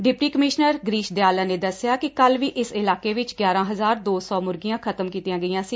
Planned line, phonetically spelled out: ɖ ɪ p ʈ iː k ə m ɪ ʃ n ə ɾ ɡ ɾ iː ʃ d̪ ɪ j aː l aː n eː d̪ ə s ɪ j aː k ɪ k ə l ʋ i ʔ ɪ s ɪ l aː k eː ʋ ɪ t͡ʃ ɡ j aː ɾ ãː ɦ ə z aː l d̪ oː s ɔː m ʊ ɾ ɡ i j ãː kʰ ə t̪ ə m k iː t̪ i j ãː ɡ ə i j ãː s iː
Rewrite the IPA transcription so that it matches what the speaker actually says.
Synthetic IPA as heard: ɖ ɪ p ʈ iː k ə m ɪ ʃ n ə ɾ ɡ ɾ iː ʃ d̪ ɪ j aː l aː n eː d̪ ə s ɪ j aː k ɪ k ə l ʋ iː ʔ ɪ s ɪ l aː k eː ʋ ɪ t͡ʃ ɡ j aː ɾ ãː ɦ ə z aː ɾ d̪ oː s ɔː m ʊ ɾ ɡ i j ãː kʰ ə t̪ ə m k iː t̪ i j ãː ɡ ə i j ãː s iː

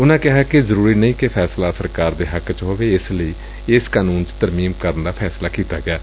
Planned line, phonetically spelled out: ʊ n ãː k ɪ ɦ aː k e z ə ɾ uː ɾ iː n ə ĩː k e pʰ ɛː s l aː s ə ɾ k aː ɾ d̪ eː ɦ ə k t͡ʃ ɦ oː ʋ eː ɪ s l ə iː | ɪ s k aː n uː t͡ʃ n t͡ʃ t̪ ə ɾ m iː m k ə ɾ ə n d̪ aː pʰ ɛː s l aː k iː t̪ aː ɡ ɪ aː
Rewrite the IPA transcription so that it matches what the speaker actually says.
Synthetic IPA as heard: ʊ n ãː k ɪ ɦ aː k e z ə ɾ uː ɾ iː n ə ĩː k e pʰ ɛː s l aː s ə ɾ k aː ɾ d̪ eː ɦ ə k t͡ʃ ɦ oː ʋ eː ɪ s l ə iː | ɪ s k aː n uː n t͡ʃ t̪ ə ɾ m iː m k ə ɾ ə n d̪ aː pʰ ɛː s l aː k iː t̪ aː ɡ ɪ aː

